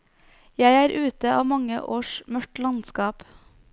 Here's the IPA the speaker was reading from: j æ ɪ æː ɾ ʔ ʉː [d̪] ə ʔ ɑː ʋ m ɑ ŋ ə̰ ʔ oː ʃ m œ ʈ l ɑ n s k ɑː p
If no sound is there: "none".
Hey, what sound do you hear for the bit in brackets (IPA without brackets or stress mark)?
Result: t̪